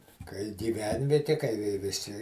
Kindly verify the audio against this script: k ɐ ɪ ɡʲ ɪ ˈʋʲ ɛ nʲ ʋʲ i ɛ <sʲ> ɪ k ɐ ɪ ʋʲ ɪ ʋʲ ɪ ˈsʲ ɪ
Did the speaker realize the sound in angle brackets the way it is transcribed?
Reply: no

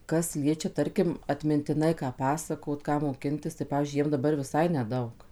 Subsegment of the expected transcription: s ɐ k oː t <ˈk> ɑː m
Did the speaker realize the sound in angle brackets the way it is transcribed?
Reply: yes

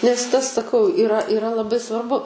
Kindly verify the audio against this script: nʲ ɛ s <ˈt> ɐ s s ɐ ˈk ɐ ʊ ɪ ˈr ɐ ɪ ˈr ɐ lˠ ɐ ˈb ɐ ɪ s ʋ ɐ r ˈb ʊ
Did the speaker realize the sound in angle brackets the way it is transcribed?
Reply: yes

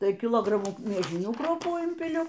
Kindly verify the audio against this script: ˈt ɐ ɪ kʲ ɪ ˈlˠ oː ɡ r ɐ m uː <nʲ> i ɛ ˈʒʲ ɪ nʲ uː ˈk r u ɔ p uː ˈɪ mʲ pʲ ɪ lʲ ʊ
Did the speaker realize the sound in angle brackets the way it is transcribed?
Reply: no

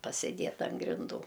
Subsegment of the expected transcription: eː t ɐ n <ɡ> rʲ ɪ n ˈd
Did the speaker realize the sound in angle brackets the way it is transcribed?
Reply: yes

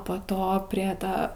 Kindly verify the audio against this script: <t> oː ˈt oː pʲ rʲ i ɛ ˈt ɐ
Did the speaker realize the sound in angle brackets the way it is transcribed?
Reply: no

